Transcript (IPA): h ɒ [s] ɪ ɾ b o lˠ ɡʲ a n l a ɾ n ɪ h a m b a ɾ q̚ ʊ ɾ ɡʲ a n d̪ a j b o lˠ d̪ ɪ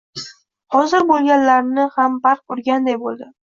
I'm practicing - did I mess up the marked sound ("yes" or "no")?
yes